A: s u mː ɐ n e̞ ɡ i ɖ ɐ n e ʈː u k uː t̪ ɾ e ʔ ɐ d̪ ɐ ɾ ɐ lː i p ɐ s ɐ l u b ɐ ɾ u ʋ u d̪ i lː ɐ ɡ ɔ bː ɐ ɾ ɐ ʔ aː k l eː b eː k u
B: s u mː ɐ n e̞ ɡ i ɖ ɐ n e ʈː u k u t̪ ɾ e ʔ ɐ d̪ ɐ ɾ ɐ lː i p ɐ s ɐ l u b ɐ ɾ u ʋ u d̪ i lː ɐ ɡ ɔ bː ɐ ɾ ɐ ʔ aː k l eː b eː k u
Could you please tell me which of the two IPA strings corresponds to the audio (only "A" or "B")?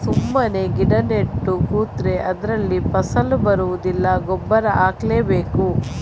A